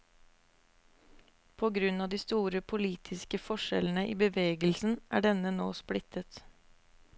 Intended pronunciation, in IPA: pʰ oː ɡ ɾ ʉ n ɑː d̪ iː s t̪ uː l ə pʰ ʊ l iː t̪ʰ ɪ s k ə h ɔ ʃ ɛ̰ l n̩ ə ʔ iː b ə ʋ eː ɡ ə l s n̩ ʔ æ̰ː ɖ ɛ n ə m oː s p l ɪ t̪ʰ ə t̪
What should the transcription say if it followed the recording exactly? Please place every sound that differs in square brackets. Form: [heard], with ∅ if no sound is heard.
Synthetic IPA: pʰ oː ɡ ɾ ʉ n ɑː d̪ iː s t̪ uː [ɾ] ə pʰ ʊ l iː t̪ʰ ɪ s k ə [f] ɔ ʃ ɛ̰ l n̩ ə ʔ iː b ə ʋ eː ɡ ə l s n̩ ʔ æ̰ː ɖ ɛ n ə [n] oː s p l ɪ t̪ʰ ə t̪